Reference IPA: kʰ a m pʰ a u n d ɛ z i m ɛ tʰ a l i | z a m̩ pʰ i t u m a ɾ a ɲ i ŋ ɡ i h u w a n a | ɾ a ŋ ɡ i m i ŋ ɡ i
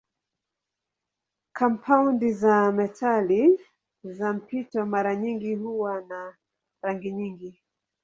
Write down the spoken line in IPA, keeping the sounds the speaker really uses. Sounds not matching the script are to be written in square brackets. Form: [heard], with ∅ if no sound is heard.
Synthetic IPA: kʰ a m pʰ a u n d [i] z [a] m ɛ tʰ a l i | z a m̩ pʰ i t [ɔ] m a ɾ a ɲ i ŋ ɡ i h u w a n a | ɾ a ŋ ɡ i [ɲ] i ŋ ɡ i